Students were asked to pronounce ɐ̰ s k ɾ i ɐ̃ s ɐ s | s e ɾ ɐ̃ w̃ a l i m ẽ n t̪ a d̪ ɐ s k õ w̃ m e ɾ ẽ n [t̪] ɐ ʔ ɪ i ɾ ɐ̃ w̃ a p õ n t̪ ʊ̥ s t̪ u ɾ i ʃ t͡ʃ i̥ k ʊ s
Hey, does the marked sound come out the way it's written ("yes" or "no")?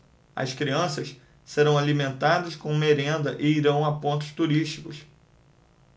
no